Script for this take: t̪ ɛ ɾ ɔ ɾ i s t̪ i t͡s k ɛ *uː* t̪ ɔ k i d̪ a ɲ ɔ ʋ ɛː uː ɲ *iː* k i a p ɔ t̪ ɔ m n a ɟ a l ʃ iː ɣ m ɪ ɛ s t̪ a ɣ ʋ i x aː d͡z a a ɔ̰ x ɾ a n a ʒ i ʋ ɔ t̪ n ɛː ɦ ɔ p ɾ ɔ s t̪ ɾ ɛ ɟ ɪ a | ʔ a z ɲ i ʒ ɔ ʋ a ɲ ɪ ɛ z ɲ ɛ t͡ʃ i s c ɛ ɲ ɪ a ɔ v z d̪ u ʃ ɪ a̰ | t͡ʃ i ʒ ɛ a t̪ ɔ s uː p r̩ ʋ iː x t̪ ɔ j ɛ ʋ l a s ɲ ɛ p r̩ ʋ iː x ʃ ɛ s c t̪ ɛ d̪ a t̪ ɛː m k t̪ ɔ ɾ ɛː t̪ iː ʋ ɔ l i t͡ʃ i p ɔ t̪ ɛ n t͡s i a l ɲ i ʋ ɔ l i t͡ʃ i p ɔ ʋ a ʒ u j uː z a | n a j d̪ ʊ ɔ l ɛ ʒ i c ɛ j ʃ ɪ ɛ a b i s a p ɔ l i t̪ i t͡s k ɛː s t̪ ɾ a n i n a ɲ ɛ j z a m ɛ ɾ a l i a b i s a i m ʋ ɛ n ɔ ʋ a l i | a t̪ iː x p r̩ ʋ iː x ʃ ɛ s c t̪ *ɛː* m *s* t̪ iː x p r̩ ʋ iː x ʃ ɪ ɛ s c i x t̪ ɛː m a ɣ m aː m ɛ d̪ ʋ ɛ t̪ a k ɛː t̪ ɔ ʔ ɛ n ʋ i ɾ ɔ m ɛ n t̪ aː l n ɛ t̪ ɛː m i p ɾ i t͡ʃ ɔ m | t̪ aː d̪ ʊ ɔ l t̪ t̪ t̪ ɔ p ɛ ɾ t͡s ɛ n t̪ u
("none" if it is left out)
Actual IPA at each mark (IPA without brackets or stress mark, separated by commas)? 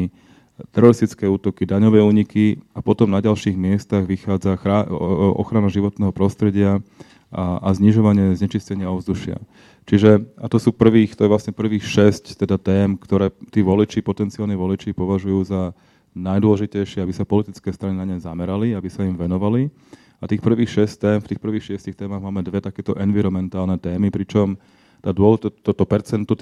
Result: uː, i, ɛː, f